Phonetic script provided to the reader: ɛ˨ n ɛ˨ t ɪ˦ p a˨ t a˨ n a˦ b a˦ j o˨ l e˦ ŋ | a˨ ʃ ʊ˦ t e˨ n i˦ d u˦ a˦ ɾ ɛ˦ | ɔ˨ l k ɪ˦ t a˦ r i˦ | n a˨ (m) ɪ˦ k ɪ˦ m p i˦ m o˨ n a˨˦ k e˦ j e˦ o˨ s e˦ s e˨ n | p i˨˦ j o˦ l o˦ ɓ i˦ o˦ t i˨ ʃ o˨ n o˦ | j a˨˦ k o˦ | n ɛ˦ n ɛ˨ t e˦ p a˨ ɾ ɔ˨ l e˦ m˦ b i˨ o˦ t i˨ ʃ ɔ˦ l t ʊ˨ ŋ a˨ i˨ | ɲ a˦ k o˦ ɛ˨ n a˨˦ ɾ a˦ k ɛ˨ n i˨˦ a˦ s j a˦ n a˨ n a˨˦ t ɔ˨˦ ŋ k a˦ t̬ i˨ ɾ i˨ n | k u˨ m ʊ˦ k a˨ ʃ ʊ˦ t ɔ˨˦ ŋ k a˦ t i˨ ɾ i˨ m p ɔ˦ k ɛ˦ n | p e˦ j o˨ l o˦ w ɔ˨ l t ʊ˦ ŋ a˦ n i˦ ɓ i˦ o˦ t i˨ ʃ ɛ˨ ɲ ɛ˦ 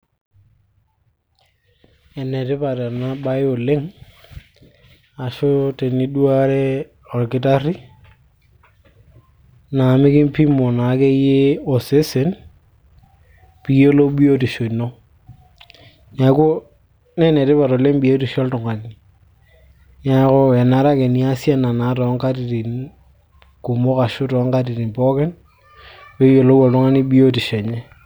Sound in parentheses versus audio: correct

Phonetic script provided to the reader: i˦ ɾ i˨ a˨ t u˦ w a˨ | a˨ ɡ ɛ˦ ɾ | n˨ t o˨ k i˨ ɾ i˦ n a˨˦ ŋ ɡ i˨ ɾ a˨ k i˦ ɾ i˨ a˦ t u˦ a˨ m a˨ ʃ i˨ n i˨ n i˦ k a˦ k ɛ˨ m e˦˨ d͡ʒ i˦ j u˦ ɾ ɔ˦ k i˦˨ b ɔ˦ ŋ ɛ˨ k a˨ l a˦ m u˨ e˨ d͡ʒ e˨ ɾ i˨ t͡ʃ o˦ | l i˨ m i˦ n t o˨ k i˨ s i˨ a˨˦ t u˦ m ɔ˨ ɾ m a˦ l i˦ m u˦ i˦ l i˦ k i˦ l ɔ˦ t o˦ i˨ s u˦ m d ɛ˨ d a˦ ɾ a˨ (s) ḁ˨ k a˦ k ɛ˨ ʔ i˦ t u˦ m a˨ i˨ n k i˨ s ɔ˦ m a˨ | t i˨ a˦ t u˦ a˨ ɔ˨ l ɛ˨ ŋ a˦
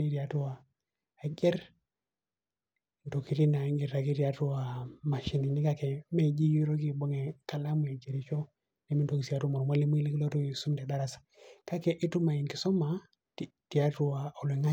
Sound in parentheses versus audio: correct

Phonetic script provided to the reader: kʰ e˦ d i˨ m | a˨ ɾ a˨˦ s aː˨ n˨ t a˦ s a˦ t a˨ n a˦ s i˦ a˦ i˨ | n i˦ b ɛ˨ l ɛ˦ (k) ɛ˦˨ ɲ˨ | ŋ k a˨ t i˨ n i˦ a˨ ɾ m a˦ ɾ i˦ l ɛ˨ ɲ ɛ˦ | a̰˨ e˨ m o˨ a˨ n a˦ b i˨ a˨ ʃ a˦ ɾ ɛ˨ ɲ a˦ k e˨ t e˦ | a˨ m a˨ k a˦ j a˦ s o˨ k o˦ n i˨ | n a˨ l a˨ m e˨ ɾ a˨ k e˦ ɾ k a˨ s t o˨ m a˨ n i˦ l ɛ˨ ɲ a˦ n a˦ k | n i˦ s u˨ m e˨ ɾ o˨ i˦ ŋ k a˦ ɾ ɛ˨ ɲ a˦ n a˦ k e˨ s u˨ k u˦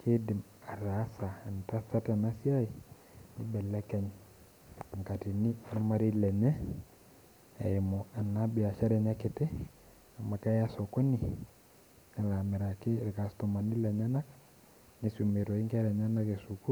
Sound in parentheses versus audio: correct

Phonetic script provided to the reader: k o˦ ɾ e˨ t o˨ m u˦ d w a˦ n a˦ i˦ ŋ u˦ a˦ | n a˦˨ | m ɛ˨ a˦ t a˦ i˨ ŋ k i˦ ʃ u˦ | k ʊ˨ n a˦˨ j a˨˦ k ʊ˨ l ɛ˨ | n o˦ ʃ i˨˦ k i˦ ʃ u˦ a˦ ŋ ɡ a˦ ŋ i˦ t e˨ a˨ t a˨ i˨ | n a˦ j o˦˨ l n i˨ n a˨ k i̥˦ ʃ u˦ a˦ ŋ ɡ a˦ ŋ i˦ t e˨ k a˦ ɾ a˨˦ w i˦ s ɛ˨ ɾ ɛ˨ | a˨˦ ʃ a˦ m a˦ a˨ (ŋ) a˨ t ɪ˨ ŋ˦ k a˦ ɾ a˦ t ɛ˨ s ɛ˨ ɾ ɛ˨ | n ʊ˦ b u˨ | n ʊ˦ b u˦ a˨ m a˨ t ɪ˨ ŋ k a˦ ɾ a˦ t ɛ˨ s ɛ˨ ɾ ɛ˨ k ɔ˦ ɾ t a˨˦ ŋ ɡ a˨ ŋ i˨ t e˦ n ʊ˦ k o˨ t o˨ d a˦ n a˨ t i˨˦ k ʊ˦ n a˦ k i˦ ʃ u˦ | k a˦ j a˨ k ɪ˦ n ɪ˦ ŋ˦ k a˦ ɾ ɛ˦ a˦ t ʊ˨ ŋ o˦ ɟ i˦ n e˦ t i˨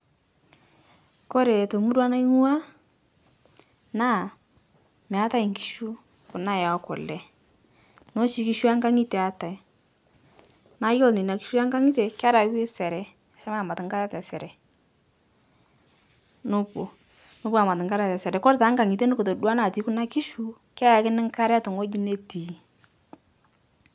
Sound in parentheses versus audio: incorrect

